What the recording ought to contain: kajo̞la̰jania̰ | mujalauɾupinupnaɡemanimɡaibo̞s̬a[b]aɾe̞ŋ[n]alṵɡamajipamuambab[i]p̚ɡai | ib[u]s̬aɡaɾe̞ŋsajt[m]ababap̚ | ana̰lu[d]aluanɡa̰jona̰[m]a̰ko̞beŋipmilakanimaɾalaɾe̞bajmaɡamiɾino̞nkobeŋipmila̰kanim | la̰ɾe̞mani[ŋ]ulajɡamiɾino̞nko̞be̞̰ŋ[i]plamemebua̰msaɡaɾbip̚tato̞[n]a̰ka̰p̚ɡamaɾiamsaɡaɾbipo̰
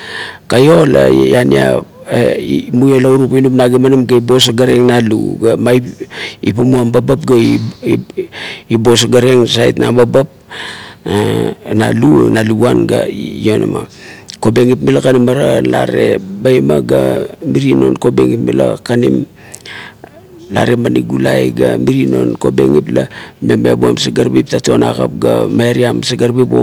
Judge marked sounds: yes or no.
no, yes, no, no, no, no, yes, no, yes, yes

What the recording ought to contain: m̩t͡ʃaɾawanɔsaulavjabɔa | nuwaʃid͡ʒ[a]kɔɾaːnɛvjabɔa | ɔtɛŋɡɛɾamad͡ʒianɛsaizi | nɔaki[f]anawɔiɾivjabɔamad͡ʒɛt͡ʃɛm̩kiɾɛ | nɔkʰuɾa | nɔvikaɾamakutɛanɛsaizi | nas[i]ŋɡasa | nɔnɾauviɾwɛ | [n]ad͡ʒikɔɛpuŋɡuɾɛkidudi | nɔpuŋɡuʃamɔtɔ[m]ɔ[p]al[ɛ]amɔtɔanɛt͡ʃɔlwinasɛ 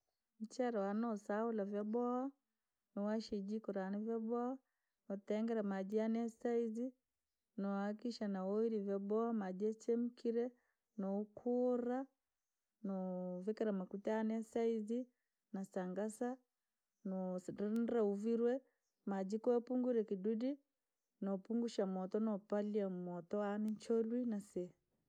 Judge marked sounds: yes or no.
no, no, no, no, no, yes, no

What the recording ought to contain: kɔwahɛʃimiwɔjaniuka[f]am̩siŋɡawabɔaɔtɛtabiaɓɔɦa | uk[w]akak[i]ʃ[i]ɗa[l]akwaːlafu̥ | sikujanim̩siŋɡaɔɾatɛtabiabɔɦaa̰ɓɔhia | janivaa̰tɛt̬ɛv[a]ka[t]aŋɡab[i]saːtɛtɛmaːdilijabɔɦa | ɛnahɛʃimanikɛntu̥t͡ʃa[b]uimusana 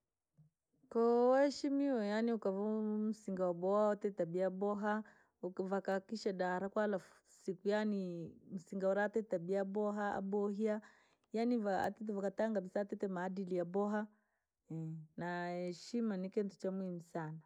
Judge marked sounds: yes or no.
no, no, yes, no, no, yes, yes, yes, no

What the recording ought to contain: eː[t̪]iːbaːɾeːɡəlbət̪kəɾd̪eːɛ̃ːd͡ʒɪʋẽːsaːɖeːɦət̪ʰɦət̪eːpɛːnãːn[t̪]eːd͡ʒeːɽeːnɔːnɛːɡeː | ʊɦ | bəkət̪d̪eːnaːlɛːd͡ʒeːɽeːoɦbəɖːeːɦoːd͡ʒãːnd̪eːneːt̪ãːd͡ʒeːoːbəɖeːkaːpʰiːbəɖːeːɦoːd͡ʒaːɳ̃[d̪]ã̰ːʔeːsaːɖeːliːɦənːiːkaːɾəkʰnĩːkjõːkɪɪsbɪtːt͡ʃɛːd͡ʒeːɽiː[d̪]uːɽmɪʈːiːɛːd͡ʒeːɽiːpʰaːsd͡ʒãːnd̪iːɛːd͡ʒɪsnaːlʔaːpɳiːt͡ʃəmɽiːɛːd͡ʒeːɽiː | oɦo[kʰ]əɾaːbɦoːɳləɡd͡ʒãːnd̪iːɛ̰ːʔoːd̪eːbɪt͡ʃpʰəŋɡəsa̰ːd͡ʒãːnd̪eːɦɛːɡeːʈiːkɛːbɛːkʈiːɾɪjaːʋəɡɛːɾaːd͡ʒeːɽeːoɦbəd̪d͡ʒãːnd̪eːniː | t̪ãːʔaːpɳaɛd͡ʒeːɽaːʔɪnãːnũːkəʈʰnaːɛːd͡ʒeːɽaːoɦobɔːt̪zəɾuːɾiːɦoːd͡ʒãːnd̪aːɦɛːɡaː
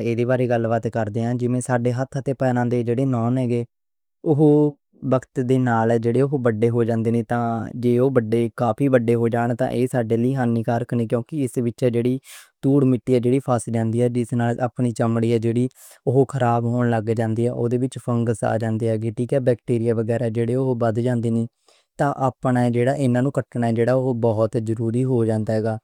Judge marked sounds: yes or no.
no, no, no, no, yes

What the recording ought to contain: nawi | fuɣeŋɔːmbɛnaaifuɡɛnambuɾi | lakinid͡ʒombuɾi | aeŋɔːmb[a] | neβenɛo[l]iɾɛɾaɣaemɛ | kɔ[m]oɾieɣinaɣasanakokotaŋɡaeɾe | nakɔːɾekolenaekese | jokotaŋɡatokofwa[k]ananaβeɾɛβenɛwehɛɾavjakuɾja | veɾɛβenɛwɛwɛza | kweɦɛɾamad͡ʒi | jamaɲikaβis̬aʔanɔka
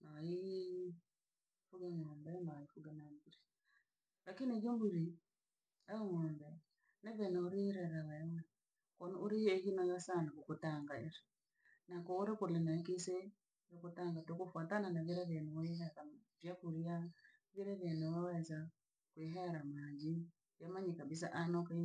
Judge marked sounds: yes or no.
no, no, no, no

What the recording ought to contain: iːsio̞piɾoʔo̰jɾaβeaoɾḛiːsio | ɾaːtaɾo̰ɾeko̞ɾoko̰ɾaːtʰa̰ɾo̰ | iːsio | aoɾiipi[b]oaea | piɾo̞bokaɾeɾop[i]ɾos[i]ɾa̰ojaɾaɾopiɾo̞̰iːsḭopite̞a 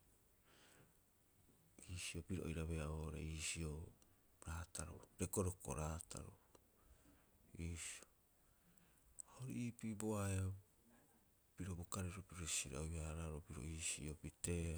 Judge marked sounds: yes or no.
yes, yes, yes

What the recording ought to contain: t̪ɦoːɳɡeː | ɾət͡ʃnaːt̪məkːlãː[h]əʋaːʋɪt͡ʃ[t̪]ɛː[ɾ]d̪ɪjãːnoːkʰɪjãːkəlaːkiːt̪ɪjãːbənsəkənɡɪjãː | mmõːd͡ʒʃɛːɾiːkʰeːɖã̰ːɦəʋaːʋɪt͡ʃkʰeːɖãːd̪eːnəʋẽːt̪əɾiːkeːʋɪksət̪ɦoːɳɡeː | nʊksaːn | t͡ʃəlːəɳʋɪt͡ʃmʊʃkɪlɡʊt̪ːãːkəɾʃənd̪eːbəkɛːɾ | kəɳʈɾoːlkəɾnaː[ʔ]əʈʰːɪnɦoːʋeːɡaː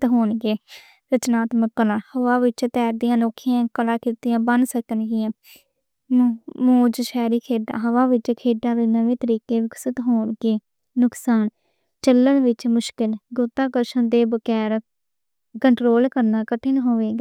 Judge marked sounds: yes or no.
yes, yes, yes, no

